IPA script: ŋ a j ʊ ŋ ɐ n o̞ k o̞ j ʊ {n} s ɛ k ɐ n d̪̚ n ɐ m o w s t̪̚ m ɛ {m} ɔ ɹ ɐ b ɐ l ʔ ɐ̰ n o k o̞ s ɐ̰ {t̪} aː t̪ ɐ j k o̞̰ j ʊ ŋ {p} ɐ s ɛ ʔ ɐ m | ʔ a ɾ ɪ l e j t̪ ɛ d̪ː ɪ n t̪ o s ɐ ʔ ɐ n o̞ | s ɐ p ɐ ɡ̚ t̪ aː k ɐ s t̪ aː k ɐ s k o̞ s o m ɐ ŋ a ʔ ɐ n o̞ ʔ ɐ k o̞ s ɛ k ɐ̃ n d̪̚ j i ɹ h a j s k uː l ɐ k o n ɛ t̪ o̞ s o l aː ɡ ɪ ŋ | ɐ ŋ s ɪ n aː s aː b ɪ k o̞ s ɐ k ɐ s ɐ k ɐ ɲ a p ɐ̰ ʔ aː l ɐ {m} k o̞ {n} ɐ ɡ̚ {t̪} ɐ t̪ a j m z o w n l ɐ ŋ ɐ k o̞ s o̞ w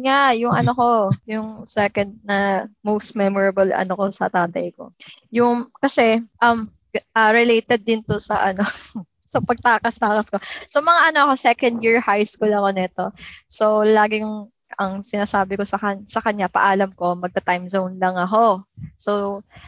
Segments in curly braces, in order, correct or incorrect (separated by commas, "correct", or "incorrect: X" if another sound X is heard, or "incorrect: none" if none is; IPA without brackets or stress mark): incorrect: ŋ, correct, correct, incorrect: k, correct, incorrect: m, correct